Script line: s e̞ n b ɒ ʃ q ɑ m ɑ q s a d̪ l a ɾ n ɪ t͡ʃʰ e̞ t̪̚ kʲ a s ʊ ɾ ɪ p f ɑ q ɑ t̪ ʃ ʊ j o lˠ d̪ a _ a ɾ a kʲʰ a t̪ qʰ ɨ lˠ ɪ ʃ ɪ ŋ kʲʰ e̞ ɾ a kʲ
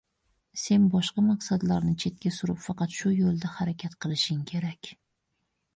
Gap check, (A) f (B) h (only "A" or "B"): B